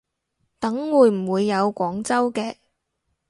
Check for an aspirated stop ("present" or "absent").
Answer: absent